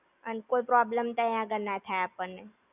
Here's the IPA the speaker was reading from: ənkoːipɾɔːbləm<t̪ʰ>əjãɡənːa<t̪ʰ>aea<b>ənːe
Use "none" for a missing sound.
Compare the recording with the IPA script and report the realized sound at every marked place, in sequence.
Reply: t̪, t̪ʰ, p

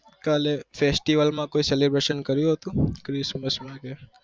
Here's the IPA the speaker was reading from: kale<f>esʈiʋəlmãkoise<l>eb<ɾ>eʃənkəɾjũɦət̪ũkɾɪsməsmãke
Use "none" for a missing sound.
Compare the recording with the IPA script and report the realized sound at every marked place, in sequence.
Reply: f, l, ɾ

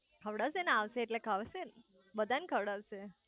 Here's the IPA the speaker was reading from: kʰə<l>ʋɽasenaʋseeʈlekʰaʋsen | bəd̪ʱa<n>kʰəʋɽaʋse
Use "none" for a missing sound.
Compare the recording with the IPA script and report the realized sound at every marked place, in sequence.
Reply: none, n

